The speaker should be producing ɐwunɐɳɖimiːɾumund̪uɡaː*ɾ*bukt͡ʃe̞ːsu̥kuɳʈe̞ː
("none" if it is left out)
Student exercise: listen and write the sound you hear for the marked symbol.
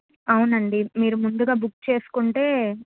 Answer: none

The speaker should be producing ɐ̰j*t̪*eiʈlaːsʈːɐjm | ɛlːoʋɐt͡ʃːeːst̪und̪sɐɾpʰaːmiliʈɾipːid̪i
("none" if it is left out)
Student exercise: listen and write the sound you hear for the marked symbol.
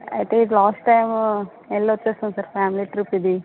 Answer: t̪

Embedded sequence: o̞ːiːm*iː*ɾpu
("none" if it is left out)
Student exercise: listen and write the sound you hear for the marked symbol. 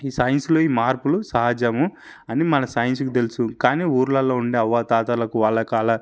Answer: aː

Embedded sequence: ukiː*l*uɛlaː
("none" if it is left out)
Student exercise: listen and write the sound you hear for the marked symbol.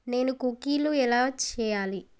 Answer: l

